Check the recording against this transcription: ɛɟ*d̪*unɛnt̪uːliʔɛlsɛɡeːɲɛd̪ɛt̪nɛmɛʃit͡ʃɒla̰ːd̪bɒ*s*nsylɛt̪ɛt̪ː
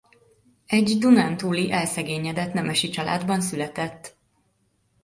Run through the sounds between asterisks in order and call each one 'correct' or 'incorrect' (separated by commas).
correct, incorrect